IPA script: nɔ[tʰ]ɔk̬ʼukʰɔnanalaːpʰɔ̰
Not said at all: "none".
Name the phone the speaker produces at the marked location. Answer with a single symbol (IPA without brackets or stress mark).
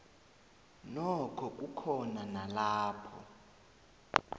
kʰ